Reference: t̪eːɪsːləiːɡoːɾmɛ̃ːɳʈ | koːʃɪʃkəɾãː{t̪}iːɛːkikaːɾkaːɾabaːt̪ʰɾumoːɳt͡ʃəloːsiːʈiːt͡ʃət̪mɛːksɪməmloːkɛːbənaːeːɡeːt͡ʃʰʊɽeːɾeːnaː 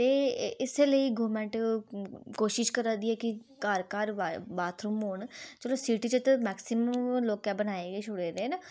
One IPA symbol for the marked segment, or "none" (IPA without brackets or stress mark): d̪